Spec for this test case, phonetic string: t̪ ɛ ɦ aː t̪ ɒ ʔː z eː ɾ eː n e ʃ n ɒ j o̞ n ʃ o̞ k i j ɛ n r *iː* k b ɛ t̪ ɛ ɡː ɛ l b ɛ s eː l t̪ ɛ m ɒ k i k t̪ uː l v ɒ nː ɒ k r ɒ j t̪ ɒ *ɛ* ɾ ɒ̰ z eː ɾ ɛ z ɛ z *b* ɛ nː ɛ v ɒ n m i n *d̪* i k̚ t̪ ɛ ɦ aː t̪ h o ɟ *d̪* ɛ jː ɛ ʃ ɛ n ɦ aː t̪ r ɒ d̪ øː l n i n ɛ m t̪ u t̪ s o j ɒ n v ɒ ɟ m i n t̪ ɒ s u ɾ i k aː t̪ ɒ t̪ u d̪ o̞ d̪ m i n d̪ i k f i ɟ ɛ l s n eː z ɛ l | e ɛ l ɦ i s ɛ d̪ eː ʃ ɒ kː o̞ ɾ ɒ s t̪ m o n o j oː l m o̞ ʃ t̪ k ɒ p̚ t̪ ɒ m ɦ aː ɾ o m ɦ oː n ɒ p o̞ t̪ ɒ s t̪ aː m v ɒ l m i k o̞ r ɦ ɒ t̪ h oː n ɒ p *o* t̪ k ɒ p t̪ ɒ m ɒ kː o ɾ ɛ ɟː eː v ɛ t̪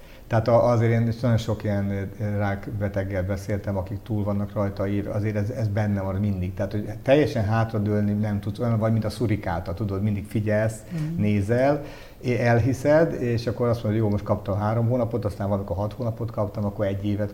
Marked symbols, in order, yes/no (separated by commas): no, no, yes, yes, no, yes